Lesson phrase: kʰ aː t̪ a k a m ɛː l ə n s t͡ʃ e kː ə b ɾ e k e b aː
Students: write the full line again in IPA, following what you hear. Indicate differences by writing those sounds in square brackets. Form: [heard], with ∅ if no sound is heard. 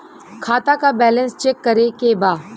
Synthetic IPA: kʰ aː t̪ a k a [b] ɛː l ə n s t͡ʃ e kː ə [∅] ɾ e k e b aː